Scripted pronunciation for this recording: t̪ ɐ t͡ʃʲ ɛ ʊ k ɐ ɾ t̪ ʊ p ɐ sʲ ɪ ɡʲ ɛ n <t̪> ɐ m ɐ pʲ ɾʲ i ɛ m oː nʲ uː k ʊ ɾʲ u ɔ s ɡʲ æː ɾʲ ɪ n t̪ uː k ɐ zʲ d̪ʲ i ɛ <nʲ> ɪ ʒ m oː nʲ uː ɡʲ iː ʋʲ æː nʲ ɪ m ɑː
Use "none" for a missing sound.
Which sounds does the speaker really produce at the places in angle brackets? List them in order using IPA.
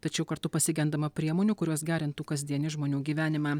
d̪, nʲ

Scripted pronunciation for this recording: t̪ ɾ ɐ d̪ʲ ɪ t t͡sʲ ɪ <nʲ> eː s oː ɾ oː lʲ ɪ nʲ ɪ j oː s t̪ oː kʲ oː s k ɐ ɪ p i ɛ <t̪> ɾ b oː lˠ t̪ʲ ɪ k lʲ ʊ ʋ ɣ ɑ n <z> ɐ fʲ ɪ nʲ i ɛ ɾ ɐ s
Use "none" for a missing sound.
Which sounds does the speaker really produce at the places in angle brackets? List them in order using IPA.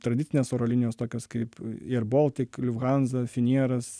nʲ, none, z

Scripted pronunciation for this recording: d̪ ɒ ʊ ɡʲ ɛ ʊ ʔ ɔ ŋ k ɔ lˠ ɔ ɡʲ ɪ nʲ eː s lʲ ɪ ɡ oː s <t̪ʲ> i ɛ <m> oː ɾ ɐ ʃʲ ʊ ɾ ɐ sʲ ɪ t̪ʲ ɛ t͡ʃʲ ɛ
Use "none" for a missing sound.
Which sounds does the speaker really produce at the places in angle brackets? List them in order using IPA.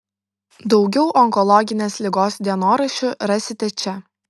d̪ʲ, n

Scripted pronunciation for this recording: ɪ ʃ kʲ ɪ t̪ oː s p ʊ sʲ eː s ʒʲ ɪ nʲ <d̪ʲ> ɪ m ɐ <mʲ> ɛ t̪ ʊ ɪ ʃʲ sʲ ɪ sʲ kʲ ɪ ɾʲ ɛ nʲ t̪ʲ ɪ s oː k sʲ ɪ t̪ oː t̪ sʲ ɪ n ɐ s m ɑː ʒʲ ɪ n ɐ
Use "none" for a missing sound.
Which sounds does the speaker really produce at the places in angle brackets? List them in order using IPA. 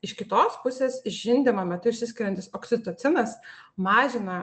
d̪ʲ, mʲ

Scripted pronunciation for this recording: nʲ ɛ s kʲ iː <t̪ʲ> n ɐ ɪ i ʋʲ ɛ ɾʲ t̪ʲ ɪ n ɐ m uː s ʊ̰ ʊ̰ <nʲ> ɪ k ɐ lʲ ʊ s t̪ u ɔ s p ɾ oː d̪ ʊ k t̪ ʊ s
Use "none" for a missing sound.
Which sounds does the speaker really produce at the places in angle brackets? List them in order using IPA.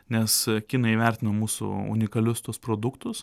none, nʲ

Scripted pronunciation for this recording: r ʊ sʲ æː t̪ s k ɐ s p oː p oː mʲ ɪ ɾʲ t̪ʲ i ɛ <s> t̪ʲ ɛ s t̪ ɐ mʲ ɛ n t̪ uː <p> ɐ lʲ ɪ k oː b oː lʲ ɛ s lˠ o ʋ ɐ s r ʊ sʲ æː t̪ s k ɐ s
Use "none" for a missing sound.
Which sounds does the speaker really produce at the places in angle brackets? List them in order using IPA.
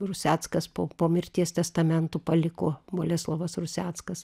s, p

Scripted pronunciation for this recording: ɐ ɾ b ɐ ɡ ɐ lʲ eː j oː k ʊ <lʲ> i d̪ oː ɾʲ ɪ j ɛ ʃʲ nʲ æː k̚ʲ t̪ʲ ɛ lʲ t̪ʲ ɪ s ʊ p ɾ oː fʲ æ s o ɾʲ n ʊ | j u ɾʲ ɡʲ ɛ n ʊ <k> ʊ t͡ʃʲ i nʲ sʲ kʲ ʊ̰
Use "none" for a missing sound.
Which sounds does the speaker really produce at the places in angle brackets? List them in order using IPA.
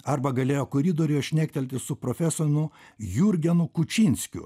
ɾʲ, k

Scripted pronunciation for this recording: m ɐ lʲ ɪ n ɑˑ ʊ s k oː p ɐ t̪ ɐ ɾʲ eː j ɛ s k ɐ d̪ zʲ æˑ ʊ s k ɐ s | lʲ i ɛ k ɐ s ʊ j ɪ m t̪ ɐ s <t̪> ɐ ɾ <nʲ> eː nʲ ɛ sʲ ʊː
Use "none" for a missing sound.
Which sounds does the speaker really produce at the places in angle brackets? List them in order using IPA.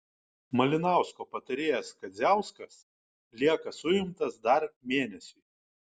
d̪, mʲ

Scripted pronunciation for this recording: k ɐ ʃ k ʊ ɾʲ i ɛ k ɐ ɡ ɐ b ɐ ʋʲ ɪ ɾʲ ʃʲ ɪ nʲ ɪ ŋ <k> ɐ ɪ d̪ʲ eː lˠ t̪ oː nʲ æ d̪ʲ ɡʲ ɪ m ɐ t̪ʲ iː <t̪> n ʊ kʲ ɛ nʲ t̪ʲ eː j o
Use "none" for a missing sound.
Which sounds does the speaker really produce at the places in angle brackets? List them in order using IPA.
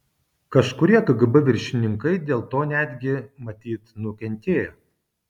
k, t̪

